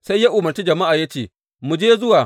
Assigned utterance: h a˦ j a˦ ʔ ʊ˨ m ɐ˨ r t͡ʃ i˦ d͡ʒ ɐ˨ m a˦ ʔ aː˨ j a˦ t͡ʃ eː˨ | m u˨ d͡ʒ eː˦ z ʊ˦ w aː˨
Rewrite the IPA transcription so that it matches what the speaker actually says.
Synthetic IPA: s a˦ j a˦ ʔ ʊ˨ m ɐ˨ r t͡ʃ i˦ d͡ʒ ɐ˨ m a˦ ʔ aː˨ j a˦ t͡ʃ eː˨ | m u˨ d͡ʒ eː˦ z ʊ˦ w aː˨